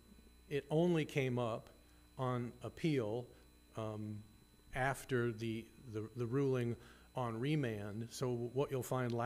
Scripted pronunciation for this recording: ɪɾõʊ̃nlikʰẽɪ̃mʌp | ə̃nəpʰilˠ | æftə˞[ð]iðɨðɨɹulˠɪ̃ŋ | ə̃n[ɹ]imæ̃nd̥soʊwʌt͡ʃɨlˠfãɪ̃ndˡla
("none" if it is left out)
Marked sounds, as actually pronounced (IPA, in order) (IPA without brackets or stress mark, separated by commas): ð, ɹ